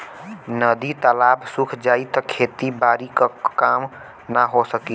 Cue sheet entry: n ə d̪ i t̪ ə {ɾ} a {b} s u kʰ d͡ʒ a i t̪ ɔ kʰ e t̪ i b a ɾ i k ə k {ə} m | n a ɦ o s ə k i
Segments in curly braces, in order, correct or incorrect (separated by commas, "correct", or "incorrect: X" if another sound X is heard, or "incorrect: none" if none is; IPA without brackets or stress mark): incorrect: l, correct, incorrect: a